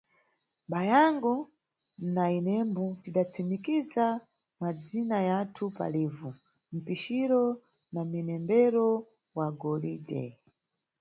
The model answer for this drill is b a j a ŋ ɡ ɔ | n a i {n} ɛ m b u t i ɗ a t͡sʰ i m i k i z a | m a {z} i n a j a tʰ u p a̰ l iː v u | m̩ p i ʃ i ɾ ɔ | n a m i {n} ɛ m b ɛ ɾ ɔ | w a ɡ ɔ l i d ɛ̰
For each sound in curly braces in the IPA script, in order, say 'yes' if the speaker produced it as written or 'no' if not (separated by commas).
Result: yes, no, yes